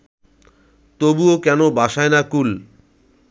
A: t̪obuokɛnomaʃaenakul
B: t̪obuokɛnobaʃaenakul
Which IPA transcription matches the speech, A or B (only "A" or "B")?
B